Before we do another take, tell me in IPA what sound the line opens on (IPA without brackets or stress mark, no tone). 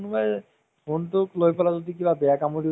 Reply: n